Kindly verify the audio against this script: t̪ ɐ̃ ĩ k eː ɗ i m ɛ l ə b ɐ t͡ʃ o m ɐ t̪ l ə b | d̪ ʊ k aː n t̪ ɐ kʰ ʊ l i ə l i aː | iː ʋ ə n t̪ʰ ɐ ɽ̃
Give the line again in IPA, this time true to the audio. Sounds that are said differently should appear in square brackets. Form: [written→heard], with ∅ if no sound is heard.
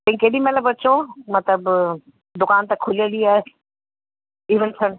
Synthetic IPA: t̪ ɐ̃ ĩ k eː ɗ i m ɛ l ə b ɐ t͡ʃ o m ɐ t̪ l ə b | d̪ ʊ k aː n t̪ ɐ kʰ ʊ l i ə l i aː | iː ʋ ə n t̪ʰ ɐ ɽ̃